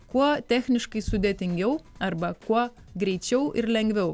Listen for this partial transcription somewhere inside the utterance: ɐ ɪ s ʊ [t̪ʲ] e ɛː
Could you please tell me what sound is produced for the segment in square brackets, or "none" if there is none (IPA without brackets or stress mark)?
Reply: d̪ʲ